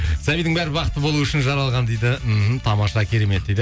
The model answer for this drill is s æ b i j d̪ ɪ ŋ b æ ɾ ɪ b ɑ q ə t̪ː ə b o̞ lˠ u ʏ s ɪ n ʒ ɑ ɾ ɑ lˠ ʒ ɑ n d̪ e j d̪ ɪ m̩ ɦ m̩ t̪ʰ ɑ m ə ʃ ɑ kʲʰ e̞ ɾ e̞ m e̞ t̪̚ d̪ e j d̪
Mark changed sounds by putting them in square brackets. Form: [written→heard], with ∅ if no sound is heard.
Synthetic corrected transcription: s æ b i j d̪ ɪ ŋ b æ ɾ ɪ b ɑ q ə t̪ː ə b o̞ lˠ u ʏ [s→ʃ] ɪ n ʒ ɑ ɾ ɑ lˠ [ʒ→ʁ] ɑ n d̪ e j d̪ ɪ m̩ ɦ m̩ t̪ʰ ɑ m [ə→ɑ] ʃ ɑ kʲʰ e̞ ɾ e̞ m e̞ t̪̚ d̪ e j d̪